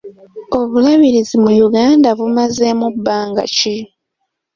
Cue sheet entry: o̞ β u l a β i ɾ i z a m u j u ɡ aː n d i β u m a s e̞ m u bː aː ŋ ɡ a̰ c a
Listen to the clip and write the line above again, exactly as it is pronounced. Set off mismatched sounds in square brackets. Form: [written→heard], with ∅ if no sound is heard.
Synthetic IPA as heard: o̞ β u l a β i ɾ i z [a→i] m u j u ɡ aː n d [i→a] β u m a [s→z] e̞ m u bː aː ŋ ɡ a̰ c [a→i]